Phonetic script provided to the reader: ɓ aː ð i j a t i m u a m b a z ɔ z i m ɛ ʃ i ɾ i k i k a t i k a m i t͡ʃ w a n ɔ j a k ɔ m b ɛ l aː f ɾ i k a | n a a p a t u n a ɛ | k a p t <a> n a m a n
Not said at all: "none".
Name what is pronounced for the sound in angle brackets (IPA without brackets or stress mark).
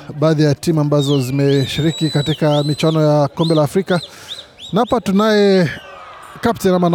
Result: ɛ